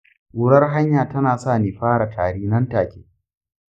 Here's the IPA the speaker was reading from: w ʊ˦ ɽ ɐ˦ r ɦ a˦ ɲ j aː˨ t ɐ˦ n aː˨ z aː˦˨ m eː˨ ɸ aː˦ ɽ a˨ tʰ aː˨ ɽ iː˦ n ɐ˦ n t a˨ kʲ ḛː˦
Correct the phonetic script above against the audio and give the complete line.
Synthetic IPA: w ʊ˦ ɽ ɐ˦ r ɦ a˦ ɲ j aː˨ t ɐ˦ n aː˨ s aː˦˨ n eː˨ ɸ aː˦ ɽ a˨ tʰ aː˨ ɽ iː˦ n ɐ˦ n t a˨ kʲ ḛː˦

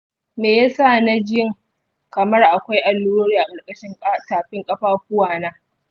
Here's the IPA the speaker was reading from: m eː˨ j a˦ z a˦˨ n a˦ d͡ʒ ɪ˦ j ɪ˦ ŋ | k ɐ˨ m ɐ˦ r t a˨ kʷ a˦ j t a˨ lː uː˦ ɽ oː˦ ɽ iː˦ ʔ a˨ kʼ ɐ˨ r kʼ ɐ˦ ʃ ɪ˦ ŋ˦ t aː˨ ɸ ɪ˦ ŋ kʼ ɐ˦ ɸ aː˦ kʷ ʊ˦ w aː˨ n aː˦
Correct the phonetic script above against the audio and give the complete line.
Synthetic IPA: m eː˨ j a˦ s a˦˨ n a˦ d͡ʒ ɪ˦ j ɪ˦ ŋ | k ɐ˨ m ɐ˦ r ʔ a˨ kʷ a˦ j ʔ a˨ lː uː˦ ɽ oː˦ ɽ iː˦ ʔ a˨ kʼ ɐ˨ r kʼ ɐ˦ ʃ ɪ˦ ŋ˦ t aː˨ ɸ ɪ˦ ŋ kʼ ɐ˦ ɸ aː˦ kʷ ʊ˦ w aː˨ n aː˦

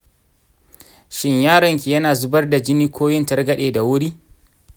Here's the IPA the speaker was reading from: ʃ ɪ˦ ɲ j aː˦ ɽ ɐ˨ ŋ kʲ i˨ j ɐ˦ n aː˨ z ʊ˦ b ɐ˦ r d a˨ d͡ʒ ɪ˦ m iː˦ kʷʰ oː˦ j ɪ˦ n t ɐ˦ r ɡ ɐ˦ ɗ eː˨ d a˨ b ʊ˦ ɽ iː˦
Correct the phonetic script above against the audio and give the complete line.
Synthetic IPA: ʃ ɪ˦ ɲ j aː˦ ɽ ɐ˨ ŋ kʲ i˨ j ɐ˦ n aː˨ z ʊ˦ b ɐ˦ r d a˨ d͡ʒ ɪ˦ n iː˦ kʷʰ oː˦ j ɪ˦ n t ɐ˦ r ɡ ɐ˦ ɗ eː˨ d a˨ w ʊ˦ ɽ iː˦

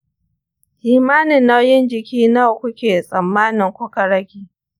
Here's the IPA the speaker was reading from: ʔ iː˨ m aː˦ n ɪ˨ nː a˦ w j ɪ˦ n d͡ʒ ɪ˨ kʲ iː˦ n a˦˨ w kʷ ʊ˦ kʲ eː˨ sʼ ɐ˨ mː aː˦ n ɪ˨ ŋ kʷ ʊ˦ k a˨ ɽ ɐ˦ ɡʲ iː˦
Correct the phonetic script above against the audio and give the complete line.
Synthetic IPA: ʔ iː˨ m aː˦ n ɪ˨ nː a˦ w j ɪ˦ n d͡ʒ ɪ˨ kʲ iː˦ n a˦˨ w kʷ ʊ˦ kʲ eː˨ sʼ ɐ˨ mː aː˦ n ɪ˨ ŋ kʷ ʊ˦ k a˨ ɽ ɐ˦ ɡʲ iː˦

